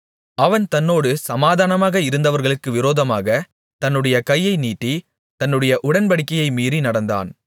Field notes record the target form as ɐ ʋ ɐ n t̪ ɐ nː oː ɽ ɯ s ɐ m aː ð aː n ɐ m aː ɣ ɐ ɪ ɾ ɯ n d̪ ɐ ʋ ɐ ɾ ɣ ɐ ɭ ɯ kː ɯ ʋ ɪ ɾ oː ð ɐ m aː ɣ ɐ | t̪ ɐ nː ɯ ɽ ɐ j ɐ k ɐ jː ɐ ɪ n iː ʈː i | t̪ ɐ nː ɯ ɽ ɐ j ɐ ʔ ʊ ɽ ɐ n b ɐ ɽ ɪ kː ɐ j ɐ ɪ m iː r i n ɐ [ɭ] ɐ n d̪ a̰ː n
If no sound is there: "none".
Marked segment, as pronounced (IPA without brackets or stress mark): ɽ